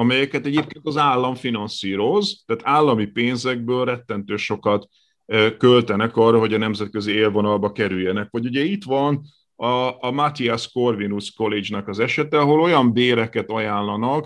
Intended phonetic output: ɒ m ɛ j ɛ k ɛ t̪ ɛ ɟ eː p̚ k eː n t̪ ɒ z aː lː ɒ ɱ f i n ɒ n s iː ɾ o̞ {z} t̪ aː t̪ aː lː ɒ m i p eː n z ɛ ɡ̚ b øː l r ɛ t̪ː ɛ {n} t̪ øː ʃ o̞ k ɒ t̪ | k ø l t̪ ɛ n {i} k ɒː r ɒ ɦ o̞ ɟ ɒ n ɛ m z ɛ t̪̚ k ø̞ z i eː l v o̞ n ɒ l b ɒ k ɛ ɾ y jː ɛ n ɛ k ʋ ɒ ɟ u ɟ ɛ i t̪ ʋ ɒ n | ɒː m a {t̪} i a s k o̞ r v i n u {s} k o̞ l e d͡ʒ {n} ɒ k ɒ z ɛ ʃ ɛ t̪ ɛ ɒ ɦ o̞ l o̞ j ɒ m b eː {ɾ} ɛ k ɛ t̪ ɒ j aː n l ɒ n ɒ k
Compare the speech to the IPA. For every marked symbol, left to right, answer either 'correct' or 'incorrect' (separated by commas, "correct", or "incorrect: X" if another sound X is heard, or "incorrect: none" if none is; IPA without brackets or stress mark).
correct, correct, incorrect: ɛ, correct, correct, correct, correct